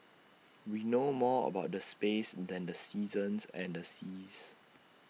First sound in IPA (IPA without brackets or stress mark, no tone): w